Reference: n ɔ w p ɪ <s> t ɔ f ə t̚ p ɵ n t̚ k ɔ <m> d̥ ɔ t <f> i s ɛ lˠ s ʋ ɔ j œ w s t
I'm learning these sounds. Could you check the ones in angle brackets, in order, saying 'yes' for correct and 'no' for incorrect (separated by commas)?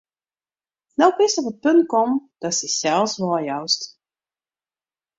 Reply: yes, yes, no